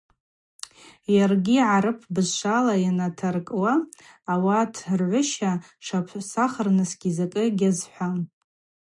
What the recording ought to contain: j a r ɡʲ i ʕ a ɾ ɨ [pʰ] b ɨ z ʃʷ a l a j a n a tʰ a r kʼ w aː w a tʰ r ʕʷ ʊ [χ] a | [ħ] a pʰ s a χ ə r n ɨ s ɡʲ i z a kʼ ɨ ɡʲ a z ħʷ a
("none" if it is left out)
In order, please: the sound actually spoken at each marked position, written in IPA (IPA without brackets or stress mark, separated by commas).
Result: pʰ, ʃ, ʂ